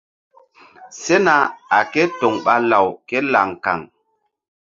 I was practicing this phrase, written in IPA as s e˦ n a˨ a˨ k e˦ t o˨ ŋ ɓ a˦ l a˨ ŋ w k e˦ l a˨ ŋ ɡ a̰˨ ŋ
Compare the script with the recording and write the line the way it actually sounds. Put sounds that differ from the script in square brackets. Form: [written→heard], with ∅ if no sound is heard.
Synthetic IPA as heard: s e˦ n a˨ a˨ k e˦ t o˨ ŋ ɓ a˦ l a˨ [ŋ→∅] w k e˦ l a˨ ŋ [ɡ→k] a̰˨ ŋ